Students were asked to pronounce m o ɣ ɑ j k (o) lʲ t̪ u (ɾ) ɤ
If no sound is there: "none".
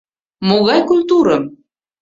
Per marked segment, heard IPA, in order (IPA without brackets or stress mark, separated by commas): u, ɾ